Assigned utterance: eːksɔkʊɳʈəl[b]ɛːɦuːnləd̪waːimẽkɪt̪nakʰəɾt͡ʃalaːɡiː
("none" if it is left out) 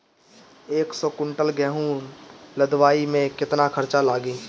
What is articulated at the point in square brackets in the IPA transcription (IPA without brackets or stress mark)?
ɡ